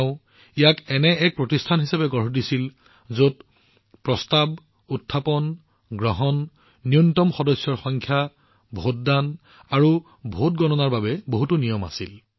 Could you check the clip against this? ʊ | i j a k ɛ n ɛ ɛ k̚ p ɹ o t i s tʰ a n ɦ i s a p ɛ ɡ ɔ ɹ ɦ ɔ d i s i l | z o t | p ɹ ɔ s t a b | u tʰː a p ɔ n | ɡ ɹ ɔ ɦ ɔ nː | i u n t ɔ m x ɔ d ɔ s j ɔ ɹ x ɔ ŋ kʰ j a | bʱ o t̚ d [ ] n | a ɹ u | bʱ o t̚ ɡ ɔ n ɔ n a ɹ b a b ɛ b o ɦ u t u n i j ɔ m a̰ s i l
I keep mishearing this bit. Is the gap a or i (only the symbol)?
a